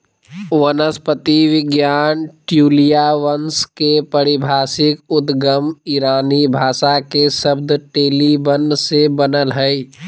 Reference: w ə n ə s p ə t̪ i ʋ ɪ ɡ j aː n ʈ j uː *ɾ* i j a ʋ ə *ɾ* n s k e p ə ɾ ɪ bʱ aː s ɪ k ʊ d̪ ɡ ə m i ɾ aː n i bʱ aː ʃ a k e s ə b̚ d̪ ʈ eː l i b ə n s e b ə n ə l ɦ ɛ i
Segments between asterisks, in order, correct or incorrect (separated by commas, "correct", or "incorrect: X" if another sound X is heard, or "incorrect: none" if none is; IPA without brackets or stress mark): incorrect: l, incorrect: none